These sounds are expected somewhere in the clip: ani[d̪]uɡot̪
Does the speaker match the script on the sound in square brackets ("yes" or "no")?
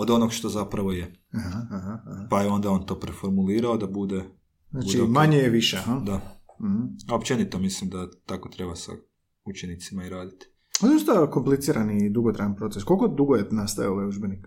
yes